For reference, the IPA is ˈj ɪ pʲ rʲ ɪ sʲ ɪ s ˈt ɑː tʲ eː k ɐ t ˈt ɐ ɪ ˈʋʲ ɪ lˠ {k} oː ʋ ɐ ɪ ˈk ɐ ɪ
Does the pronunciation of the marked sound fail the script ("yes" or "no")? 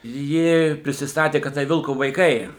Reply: no